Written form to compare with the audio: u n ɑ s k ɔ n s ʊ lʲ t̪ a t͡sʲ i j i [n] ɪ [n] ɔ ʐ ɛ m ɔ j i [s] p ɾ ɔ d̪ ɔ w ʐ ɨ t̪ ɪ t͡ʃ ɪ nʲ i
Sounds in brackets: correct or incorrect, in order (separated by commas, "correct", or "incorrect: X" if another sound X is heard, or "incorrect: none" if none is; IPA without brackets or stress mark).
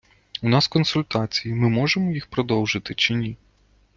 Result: incorrect: m, incorrect: m, incorrect: x